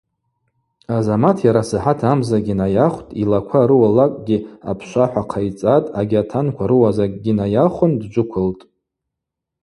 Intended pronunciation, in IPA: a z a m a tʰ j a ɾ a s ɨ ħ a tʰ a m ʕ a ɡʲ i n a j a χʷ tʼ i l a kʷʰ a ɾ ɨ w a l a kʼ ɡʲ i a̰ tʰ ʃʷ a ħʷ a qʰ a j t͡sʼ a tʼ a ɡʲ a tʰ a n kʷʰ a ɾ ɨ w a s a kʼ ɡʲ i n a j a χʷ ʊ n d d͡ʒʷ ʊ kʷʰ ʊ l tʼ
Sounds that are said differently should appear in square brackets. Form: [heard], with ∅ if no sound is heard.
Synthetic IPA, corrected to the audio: a z a m a tʰ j a ɾ a s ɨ ħ a tʰ a m [z] a ɡʲ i n a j a χʷ tʼ i l a kʷʰ a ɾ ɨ w a l a kʼ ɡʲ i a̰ [pʰ] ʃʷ a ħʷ a qʰ a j t͡sʼ a tʼ a ɡʲ a tʰ a n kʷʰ a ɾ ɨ w a [z] a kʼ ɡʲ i n a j a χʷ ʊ n d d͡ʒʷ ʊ kʷʰ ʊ l tʼ

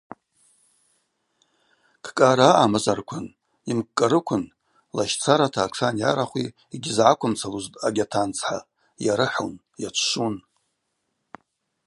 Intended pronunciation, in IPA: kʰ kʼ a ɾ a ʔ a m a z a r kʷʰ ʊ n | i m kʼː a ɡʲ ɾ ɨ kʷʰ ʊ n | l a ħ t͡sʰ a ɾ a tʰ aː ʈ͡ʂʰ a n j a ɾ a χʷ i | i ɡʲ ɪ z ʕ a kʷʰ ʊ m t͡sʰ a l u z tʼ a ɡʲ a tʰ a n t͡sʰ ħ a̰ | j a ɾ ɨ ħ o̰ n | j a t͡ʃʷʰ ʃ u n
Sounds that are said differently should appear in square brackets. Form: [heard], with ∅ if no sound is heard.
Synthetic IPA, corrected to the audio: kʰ kʼ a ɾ a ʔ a m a z a r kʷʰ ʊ n | i m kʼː a [∅] ɾ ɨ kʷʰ ʊ n | l a [ʃ] t͡sʰ a ɾ a tʰ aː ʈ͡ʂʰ a n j a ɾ a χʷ i | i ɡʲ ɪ z ʕ a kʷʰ ʊ m t͡sʰ a l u z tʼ a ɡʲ a tʰ a n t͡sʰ ħ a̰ | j a ɾ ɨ ħ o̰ n | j a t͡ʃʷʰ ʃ u n

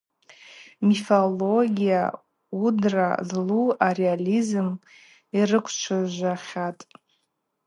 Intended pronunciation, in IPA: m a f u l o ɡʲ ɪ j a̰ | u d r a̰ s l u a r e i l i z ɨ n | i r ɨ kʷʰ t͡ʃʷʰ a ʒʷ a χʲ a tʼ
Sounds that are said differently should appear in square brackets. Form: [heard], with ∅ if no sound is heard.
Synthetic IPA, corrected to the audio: m [i] f [o] l o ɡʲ [i] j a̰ | u d r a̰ [z] l u a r e [a] l i z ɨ [m] | i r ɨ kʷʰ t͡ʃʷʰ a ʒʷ a χʲ a tʼ

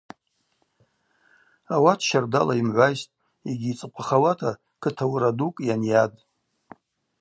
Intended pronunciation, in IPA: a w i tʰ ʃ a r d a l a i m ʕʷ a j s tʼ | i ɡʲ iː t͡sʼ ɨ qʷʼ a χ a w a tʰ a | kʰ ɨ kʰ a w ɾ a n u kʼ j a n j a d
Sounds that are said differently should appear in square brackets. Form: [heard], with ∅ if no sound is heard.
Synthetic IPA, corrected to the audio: a w [a] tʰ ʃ a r d a l a i m ʕʷ a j s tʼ | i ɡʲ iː t͡sʼ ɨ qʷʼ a χ a w a tʰ a | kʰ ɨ [tʰ] a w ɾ a [d] u kʼ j a n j a d

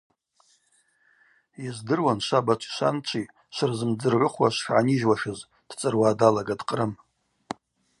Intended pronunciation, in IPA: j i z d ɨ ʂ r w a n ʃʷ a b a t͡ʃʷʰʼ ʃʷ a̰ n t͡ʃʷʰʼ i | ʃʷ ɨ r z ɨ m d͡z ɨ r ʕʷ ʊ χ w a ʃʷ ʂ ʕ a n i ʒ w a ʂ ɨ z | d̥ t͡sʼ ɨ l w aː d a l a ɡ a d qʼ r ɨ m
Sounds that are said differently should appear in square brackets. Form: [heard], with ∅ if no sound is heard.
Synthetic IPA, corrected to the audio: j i z d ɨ [∅] r w a n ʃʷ a b a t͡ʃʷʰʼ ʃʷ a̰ n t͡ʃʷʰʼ i | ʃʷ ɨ r z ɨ m d͡z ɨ r ʕʷ ʊ χ w a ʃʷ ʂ ʕ a n i ʒ w a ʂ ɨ z | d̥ t͡sʼ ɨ [r] w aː d a l a ɡ a d qʼ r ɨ m

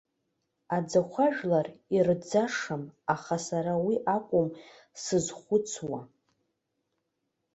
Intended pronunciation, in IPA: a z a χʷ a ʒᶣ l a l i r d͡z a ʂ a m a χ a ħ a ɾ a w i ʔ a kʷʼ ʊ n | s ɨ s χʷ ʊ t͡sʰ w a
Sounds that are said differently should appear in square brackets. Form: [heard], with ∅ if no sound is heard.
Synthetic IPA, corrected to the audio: a [d͡z] a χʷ a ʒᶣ l a [r] i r d͡z a ʂ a m a χ a [s] a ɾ a w i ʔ a kʷʼ ʊ [m] | s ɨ [z] χʷ ʊ t͡sʰ w a

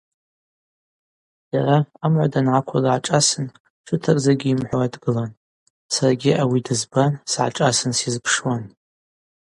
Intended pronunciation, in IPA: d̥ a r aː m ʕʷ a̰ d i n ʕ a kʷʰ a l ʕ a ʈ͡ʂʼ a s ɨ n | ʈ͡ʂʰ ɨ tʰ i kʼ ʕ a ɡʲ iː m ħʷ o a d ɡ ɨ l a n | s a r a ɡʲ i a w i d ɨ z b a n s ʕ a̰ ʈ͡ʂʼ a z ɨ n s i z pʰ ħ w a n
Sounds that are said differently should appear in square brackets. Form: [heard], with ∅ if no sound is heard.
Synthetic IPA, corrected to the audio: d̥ a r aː m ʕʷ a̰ d [a] n ʕ a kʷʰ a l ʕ a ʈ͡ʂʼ a s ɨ n | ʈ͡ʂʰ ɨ tʰ [a] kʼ [z] a ɡʲ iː m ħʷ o a d ɡ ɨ l a n | s a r a ɡʲ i a w i d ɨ z b a n s ʕ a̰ ʈ͡ʂʼ a [s] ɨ n s i z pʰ [ʂ] w a n

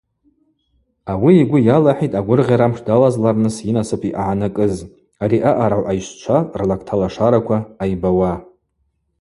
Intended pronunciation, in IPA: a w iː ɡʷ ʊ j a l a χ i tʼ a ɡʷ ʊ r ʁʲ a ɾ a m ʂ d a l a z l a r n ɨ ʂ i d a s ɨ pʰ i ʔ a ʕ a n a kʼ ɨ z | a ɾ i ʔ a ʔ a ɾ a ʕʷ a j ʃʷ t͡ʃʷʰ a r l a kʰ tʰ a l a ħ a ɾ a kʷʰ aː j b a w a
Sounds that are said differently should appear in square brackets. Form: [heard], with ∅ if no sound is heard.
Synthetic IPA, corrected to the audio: a w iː ɡʷ ʊ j a l a [ħ] i tʼ a ɡʷ ʊ r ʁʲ a ɾ a m ʂ d a l a z l a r n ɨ [s] i [n] a s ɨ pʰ i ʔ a ʕ a n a kʼ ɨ z | a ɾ i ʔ a ʔ a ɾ a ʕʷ a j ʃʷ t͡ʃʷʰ a r l a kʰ tʰ a l a [ʂ] a ɾ a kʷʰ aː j b a w a

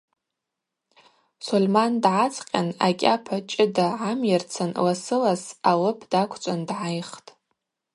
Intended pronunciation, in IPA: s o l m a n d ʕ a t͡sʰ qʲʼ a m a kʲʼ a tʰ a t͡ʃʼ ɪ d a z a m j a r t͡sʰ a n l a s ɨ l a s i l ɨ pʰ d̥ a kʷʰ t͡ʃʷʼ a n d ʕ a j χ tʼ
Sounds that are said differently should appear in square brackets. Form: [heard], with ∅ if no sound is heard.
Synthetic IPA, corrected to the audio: s o l m a n d ʕ a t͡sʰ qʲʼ a [n] a kʲʼ a [pʰ] a t͡ʃʼ ɪ d a [ʕ] a m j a r t͡sʰ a n l a s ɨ l a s [a] l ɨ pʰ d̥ a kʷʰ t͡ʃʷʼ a n d ʕ a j χ tʼ

